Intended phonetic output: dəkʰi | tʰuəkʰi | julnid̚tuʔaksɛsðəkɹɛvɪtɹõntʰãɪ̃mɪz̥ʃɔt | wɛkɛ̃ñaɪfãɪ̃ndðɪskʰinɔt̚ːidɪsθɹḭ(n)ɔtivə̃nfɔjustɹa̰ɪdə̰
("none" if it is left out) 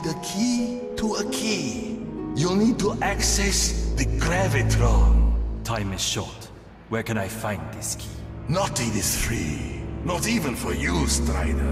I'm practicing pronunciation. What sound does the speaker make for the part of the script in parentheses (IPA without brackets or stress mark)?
n